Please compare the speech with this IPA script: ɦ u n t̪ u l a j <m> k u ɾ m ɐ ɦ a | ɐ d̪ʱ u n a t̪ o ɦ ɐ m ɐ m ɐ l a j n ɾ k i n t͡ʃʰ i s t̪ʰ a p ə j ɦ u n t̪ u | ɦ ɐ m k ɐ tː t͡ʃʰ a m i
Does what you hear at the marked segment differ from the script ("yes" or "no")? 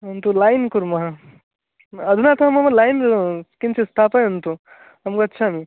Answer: yes